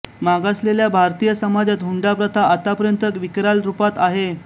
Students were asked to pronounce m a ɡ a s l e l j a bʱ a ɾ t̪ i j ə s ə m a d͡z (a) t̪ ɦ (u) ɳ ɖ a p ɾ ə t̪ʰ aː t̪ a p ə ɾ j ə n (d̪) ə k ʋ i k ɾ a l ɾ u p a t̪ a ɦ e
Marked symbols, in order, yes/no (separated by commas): yes, yes, no